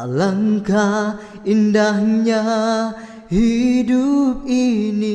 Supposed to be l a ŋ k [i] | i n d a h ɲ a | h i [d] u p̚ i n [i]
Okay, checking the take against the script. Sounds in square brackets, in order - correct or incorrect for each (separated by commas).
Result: incorrect, correct, correct